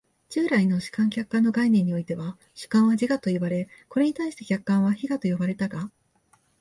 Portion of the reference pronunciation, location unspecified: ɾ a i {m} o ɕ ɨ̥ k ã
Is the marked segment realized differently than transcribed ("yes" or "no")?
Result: yes